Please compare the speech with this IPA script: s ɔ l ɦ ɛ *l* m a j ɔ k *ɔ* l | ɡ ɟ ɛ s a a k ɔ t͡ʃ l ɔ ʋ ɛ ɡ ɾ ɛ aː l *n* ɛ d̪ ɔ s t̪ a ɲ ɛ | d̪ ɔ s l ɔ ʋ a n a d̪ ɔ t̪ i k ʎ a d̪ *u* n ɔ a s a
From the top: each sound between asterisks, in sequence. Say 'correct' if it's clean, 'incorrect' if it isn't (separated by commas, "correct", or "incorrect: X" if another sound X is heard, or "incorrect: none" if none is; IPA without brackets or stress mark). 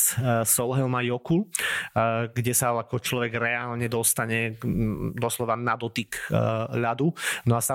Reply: correct, incorrect: u, incorrect: ɲ, correct